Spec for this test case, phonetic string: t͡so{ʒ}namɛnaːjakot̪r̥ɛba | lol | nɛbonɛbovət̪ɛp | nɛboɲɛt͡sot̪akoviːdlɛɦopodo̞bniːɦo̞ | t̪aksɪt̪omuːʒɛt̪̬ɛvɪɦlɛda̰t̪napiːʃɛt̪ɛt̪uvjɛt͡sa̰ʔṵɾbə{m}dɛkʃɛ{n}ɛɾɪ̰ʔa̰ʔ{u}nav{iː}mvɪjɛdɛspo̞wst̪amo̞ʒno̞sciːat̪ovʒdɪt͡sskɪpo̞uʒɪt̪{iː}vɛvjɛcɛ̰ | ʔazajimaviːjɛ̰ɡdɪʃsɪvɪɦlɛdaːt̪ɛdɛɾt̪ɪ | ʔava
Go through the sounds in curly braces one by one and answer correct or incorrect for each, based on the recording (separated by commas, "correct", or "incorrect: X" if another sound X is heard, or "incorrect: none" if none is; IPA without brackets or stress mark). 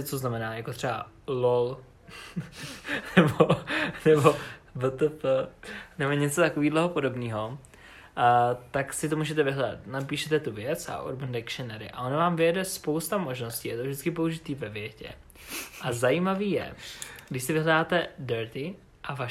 incorrect: z, incorrect: n, correct, incorrect: o, incorrect: aː, correct